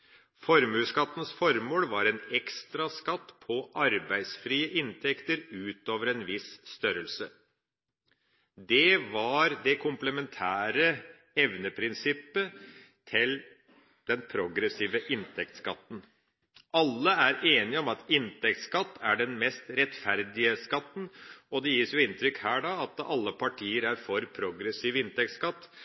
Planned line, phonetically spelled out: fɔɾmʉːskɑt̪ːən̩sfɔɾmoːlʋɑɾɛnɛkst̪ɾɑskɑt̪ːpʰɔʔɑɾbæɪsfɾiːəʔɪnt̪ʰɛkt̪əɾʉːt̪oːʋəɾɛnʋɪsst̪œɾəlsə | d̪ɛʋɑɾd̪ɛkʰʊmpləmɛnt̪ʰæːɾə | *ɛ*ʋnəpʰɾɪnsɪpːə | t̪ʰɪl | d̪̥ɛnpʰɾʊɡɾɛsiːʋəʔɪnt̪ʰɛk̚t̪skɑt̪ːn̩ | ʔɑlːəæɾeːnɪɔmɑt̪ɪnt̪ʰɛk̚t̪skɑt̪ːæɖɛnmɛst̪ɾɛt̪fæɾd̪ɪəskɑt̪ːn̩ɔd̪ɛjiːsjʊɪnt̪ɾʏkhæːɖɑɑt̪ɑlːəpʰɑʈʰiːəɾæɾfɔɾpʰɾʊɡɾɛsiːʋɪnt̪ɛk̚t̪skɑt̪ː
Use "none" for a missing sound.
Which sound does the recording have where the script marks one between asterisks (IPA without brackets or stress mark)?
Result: ɛ